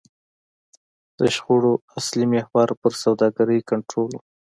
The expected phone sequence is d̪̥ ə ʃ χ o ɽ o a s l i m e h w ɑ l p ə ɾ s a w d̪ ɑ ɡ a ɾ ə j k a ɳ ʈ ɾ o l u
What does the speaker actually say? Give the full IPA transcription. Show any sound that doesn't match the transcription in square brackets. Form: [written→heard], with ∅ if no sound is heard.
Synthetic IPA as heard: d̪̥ ə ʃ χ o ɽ o a s l i m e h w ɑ [l→ɾ] p ə ɾ s a w d̪ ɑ ɡ a ɾ ə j k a ɳ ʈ ɾ o l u